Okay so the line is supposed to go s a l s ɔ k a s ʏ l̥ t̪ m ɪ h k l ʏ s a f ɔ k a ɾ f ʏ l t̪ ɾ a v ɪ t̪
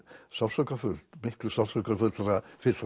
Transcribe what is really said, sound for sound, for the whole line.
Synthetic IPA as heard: s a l s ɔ k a f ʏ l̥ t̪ m ɪ h k l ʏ s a s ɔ k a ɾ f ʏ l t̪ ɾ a f ɪ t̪